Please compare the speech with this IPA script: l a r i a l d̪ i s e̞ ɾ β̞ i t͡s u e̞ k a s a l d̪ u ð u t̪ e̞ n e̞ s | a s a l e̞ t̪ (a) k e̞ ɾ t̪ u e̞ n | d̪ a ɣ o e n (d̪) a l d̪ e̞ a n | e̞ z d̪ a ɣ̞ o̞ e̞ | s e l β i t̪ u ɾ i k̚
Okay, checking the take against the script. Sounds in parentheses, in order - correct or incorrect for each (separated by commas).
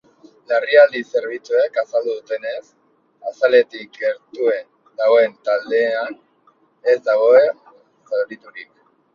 incorrect, incorrect